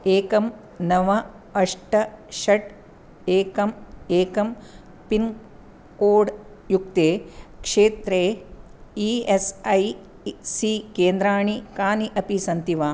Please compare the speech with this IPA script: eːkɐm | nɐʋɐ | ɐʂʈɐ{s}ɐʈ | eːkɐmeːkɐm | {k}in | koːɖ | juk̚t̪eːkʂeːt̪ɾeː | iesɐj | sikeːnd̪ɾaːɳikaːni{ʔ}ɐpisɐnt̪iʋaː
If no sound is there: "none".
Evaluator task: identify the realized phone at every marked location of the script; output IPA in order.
ʃ, p, ʔ

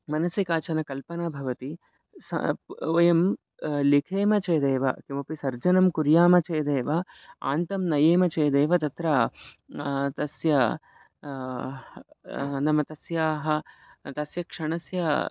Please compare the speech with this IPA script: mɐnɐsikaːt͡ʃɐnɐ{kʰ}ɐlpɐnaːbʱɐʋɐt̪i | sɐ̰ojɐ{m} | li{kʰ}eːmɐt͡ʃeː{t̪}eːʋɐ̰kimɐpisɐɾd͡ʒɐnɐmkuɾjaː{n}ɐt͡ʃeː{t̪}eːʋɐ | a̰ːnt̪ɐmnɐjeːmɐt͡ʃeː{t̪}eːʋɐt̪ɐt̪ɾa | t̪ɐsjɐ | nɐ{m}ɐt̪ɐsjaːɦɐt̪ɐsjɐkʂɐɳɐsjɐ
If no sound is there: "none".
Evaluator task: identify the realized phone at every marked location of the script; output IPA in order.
k, m, kʰ, d̪, m, d̪, d̪, m

